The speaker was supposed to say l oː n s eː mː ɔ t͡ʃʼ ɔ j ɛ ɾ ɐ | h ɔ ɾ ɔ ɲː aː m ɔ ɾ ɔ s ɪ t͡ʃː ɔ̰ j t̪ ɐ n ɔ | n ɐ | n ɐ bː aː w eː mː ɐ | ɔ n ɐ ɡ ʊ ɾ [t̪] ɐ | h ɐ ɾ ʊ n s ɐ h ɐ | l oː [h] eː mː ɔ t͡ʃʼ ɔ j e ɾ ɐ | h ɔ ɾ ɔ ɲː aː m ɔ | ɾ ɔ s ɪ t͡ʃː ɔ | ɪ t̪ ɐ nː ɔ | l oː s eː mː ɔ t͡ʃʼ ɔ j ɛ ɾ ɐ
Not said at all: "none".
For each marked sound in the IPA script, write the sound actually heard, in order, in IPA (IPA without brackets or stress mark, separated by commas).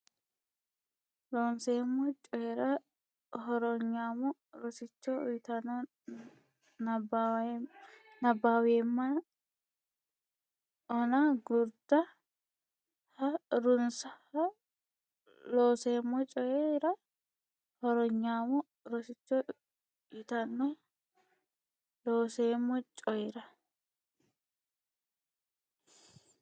d̪, s